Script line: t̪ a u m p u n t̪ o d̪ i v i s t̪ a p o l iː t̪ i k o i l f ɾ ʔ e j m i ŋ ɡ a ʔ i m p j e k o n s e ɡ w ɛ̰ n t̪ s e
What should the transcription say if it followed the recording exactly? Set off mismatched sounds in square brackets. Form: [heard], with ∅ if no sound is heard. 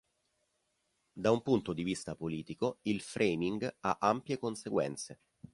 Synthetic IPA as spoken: [d̪] a u m p u n t̪ o d̪ i v i s t̪ a p o l iː t̪ i k o i l f ɾ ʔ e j m i ŋ ɡ a ʔ [a] m p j e k o n s e ɡ w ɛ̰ n t̪ s e